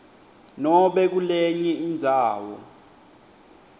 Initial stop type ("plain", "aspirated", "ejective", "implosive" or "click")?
implosive